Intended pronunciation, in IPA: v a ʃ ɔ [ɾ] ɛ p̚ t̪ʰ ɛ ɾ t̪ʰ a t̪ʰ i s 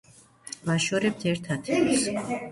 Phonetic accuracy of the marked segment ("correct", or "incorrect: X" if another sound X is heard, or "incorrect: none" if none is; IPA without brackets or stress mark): correct